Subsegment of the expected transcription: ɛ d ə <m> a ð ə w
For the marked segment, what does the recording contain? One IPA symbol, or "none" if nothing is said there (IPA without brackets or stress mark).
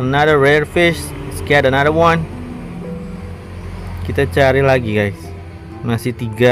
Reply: n